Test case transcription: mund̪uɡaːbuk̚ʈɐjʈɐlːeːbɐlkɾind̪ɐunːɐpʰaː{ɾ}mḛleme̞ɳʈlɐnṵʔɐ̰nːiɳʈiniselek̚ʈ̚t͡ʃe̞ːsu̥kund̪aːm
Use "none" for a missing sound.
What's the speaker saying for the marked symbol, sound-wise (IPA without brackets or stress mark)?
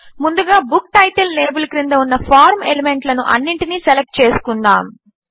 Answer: ɾ